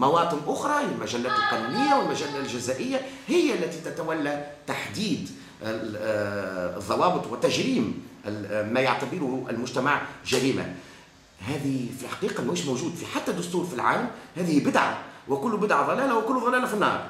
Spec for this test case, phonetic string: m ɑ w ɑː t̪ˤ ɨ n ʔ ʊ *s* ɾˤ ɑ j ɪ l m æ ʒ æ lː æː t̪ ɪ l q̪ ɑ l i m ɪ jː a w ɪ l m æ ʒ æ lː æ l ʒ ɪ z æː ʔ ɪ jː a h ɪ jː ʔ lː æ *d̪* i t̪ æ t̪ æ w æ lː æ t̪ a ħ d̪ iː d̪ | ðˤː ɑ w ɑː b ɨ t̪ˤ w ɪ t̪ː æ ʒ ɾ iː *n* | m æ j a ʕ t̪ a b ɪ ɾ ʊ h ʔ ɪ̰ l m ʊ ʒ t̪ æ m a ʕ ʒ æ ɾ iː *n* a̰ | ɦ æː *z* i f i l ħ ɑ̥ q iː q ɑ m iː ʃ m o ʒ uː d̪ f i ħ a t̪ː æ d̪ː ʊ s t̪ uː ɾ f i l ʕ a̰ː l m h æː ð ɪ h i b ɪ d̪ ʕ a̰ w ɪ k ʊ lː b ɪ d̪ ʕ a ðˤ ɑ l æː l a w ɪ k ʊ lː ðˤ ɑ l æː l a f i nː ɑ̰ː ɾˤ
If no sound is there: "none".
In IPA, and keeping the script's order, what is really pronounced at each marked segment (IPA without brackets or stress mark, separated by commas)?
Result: x, t̪, m, m, ð